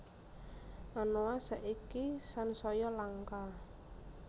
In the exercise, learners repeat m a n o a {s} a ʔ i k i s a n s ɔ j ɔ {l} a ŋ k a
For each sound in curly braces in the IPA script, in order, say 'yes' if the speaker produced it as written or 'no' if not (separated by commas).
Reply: yes, yes